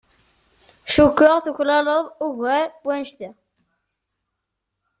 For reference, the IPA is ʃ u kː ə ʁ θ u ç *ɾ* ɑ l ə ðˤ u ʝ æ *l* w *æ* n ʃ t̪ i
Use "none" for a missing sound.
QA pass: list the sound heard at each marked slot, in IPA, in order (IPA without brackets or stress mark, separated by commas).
l, ɾ, æ